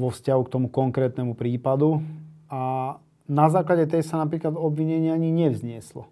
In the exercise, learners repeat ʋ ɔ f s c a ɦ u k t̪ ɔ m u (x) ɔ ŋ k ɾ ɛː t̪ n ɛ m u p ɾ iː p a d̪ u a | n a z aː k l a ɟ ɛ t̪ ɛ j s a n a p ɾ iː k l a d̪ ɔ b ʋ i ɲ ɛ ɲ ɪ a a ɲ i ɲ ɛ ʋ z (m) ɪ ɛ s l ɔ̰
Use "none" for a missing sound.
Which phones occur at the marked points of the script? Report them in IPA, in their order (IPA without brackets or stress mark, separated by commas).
k, ɲ